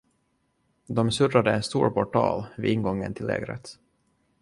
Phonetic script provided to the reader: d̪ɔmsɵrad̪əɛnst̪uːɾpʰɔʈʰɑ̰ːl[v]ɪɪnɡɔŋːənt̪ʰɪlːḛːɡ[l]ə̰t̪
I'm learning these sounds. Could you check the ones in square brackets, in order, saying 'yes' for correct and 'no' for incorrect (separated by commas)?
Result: yes, no